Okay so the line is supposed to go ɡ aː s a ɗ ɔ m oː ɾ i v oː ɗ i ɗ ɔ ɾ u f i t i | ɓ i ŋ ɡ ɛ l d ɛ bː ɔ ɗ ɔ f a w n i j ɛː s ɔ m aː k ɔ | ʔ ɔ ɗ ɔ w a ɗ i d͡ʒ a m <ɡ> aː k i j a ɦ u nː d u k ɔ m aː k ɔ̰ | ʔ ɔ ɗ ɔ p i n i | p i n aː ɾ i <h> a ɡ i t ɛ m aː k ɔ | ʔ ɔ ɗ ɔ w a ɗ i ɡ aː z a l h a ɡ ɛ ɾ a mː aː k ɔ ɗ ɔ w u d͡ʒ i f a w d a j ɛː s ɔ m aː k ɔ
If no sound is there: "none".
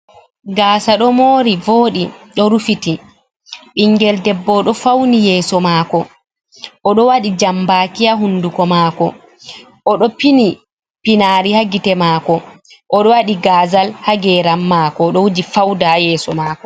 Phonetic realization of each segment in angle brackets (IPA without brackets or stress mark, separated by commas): b, h